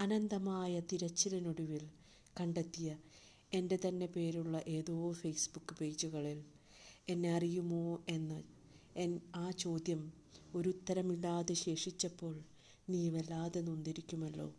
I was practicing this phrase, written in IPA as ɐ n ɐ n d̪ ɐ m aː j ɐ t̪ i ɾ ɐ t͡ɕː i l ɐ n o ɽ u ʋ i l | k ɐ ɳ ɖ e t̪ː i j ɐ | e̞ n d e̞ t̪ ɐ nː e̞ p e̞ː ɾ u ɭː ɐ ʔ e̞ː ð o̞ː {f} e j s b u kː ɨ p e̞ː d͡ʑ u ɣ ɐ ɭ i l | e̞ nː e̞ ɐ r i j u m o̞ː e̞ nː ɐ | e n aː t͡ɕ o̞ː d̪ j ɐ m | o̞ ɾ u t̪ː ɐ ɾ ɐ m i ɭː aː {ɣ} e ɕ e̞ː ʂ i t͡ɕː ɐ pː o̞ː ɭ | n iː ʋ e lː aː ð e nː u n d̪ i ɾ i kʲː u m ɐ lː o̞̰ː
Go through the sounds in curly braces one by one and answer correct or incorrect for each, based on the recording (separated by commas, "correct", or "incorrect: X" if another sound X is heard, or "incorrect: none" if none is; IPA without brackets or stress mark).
correct, incorrect: ð